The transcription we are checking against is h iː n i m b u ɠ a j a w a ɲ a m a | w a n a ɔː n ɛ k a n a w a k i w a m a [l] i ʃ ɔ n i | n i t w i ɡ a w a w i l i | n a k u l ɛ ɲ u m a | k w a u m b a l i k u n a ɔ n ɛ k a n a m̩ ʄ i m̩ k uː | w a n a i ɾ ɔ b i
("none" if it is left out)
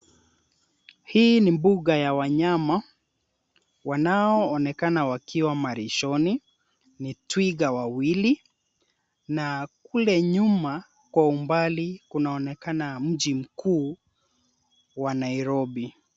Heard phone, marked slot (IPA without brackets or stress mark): ɾ